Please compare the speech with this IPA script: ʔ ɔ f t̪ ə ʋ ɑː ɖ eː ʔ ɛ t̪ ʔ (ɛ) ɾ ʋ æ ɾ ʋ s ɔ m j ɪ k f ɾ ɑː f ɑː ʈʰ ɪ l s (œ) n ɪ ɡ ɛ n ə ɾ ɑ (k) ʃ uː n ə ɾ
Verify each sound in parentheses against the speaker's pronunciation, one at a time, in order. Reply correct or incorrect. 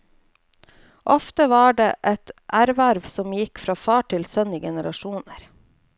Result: incorrect: æ, correct, incorrect: none

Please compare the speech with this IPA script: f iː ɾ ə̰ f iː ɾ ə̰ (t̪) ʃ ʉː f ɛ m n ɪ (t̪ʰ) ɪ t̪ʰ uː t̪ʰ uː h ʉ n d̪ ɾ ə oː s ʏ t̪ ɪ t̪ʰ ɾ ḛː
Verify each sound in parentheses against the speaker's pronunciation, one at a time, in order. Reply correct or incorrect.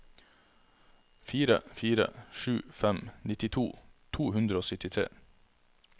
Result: incorrect: none, incorrect: t̪

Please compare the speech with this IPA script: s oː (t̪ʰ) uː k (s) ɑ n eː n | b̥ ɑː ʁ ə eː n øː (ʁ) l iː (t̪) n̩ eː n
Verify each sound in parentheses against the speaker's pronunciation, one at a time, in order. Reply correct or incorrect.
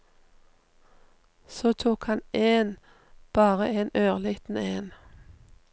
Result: correct, incorrect: h, correct, correct

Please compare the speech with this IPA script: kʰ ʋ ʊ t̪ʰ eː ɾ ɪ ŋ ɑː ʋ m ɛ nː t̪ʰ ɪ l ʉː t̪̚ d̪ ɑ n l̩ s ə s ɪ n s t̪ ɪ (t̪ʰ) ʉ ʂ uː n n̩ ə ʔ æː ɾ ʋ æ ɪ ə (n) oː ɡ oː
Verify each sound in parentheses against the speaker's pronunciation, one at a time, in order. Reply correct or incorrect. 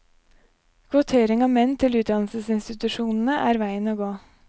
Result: incorrect: t̪, correct

